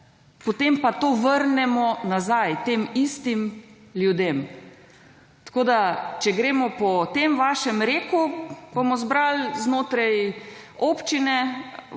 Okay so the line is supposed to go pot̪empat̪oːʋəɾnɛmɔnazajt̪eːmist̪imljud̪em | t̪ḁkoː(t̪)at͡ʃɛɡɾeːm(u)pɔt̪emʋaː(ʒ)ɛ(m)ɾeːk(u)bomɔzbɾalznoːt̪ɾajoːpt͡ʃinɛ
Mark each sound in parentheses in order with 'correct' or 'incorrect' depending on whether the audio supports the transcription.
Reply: incorrect, incorrect, incorrect, correct, correct

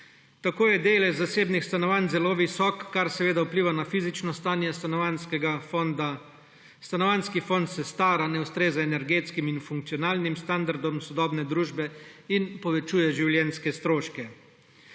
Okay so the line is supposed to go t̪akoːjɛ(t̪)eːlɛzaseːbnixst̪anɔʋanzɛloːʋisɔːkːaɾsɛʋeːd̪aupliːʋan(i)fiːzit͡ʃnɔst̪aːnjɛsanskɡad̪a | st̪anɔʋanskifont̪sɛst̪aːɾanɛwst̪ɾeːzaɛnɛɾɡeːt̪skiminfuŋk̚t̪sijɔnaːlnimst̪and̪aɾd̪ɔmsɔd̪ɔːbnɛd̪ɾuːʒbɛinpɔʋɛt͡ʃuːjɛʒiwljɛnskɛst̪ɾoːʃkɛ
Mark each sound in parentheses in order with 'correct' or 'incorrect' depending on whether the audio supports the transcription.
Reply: incorrect, incorrect

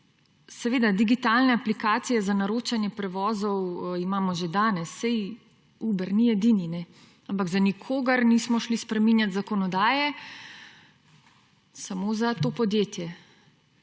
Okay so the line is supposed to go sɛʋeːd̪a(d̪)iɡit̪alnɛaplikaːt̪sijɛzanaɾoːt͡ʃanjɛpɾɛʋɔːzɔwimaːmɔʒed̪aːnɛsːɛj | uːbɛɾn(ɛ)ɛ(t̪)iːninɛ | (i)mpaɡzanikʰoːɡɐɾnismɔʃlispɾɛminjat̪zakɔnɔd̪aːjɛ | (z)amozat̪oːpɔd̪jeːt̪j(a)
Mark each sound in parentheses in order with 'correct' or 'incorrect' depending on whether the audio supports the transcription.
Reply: correct, incorrect, incorrect, incorrect, incorrect, incorrect

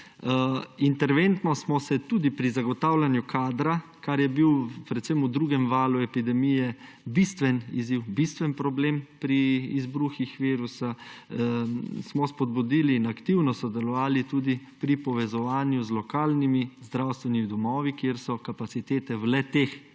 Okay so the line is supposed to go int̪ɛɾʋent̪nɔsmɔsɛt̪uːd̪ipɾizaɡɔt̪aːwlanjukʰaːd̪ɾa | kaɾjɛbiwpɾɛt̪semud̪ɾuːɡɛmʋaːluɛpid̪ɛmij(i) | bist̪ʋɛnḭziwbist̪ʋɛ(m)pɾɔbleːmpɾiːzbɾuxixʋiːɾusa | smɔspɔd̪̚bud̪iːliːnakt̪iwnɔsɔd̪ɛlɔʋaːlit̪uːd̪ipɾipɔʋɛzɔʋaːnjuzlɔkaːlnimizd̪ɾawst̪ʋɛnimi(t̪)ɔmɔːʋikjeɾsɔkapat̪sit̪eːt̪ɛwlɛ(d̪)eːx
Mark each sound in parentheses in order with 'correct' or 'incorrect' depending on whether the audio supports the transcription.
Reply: incorrect, incorrect, incorrect, incorrect

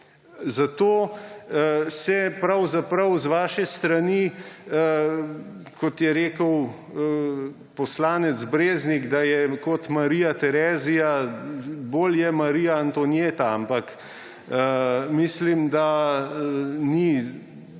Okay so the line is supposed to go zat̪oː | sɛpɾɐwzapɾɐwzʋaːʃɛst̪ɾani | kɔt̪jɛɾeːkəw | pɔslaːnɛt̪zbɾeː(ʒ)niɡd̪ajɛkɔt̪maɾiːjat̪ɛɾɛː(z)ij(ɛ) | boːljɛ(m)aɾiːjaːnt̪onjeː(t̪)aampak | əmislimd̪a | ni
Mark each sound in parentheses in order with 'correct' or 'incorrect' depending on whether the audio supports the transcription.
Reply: incorrect, correct, incorrect, correct, correct

